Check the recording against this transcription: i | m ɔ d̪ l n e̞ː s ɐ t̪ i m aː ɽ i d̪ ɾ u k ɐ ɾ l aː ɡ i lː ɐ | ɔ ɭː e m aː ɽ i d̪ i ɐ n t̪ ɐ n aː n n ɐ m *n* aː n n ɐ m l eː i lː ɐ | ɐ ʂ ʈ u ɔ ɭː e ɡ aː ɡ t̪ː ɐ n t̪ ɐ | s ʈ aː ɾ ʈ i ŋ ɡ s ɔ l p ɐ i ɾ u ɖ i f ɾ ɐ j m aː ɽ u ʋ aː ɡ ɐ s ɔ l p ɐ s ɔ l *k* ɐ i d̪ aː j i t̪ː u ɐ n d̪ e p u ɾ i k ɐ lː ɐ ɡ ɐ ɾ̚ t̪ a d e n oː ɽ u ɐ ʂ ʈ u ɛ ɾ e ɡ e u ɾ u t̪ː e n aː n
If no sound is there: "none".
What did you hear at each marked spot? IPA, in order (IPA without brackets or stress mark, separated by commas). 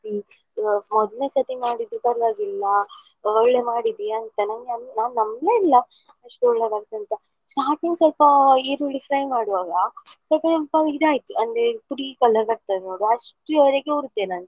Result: n, p